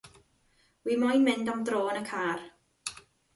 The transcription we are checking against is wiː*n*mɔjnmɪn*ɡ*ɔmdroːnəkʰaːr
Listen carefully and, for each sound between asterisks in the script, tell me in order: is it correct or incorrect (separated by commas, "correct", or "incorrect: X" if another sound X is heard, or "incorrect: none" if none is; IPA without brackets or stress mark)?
incorrect: none, incorrect: d